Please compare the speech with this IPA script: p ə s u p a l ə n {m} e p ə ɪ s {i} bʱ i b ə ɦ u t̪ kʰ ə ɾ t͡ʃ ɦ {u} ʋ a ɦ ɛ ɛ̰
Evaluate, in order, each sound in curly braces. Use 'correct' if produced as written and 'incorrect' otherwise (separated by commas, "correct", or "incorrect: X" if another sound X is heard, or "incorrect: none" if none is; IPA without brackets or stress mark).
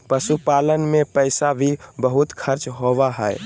correct, incorrect: a, incorrect: o